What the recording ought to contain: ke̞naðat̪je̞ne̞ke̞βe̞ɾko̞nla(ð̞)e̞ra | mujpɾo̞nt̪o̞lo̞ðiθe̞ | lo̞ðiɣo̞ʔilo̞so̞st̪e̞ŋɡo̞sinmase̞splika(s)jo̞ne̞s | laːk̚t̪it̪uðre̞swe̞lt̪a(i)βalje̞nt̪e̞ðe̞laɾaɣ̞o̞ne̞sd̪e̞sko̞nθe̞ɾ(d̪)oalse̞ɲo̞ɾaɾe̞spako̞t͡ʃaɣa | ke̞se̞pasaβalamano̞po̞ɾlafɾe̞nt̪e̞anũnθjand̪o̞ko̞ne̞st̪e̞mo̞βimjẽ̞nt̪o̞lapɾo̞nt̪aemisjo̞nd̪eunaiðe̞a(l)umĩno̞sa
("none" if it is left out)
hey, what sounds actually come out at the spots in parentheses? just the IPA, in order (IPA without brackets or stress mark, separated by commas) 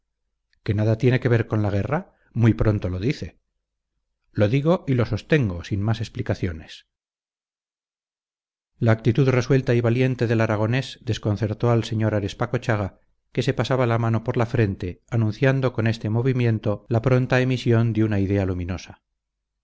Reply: ɣ̞, θ, i, t̪, l